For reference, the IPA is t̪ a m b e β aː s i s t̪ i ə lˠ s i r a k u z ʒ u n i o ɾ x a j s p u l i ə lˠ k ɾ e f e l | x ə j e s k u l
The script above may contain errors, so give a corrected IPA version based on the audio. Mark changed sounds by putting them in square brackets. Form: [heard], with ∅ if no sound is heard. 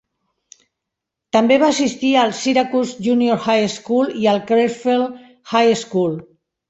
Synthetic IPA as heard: t̪ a m b e β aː s i s t̪ i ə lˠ s i [ɾ] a k u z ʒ u n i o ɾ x a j s [k] u l i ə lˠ k ɾ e f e l | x [a] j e s k u l